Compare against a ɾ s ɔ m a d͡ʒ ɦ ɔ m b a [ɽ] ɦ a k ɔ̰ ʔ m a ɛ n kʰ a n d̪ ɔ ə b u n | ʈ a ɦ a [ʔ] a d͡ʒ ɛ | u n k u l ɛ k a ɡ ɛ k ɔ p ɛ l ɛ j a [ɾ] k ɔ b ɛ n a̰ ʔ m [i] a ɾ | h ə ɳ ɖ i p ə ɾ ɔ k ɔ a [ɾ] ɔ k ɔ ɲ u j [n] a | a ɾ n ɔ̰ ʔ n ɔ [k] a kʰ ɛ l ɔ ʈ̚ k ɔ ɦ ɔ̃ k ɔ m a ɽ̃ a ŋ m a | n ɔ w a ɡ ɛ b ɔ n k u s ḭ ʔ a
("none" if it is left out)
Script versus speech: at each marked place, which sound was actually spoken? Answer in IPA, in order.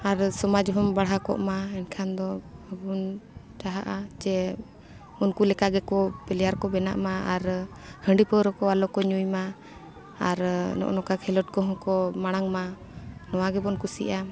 ɽ, ʔ, ɾ, a, l, m, k

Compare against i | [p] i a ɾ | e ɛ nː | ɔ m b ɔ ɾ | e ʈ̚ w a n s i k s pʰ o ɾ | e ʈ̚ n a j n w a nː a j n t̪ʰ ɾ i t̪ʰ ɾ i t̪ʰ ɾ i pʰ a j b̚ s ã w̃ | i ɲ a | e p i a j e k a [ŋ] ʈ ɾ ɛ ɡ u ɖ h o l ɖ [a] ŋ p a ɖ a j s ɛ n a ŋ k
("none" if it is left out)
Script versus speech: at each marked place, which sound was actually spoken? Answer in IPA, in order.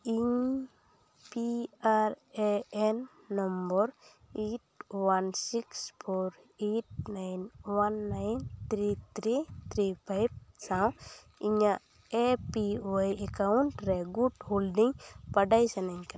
p, ɳ, i

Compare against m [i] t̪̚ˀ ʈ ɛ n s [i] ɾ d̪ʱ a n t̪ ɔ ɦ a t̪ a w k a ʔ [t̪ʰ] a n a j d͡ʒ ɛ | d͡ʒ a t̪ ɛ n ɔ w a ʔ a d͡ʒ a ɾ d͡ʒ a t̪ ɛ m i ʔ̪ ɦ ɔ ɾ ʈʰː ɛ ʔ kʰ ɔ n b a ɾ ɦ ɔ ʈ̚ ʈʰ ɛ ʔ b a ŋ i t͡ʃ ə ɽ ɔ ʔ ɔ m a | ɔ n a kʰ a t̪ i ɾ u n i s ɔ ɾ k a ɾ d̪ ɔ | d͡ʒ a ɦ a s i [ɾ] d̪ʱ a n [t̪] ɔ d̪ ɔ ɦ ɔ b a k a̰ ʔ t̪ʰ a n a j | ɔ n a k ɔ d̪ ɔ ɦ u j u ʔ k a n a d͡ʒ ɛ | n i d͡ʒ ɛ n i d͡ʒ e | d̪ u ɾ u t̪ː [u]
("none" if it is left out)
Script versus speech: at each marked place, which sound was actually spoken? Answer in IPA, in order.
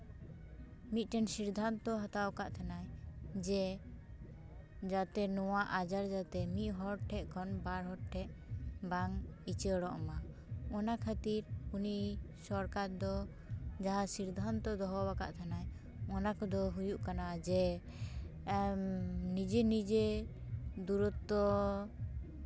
i, i, t̪ʰ, ɾ, t̪, ɔ

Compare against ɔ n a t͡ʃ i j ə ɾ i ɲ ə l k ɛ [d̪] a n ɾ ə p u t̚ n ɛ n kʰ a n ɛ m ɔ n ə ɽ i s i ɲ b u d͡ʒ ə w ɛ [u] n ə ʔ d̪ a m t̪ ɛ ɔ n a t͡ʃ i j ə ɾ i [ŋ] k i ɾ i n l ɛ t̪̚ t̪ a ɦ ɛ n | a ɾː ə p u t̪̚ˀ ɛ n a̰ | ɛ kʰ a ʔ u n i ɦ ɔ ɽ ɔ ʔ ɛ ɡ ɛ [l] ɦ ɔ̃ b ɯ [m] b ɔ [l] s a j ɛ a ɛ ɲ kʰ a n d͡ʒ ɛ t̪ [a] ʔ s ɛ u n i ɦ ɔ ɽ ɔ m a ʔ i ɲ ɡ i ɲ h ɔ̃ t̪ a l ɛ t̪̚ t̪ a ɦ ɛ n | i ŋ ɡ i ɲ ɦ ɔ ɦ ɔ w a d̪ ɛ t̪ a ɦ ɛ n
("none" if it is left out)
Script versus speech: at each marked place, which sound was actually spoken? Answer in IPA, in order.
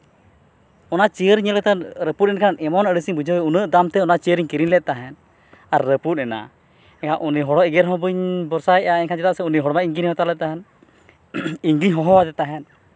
t̪, u, ɲ, ɾ, ɲ, ɾ, a

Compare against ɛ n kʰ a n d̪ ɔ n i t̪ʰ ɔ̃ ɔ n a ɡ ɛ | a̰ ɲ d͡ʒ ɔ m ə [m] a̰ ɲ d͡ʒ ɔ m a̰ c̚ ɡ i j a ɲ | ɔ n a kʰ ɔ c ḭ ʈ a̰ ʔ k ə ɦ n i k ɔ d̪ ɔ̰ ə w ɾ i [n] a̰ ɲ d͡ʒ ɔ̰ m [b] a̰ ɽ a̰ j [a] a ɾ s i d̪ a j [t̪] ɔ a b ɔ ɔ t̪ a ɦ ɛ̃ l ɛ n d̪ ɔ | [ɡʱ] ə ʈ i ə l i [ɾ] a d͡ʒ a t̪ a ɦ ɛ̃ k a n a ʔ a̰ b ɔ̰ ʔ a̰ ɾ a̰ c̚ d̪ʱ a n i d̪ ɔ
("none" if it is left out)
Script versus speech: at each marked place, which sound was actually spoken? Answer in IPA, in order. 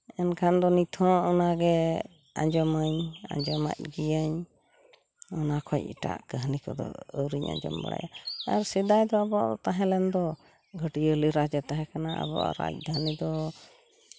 ɲ, ɲ, b, a, d̪, ɡʱ, ɾ

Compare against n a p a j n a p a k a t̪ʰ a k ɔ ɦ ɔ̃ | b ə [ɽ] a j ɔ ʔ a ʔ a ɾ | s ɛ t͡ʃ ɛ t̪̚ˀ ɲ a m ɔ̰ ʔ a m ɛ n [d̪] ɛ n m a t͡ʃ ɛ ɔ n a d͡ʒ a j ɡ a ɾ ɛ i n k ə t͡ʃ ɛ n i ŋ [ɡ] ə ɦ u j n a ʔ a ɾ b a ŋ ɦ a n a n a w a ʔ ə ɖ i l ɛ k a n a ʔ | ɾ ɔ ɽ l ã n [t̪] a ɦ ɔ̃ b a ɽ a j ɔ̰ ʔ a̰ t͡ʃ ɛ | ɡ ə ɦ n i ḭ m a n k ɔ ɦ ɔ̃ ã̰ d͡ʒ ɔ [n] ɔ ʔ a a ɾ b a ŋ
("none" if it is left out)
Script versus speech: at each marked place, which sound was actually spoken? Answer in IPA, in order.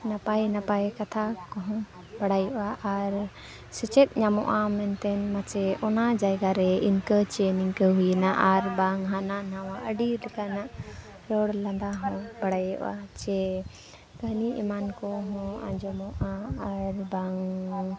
ɽ, t̪, k, d̪, m

